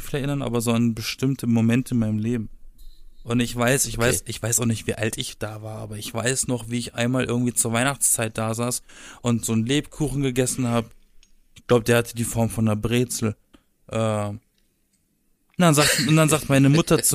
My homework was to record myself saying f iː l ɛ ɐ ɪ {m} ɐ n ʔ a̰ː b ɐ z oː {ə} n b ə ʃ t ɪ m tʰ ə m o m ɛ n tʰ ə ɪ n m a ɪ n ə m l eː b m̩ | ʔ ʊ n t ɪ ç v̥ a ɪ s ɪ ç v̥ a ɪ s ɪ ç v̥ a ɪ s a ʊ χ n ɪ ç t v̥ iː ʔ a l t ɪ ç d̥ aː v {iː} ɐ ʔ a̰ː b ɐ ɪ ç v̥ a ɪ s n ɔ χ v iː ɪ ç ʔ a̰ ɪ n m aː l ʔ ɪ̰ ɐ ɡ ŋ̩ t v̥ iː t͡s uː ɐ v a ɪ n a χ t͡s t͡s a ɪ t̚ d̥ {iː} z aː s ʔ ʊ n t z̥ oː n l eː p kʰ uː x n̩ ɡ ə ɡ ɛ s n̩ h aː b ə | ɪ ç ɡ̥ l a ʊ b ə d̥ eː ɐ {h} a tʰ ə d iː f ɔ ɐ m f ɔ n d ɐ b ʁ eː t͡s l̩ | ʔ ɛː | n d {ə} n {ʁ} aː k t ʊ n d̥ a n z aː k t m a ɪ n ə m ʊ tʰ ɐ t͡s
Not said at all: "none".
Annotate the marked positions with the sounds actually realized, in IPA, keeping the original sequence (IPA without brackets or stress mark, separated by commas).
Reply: n, a, aː, aː, h, a, z